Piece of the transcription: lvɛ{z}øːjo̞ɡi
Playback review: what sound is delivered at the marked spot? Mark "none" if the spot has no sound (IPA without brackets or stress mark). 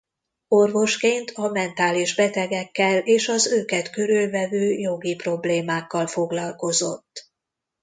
v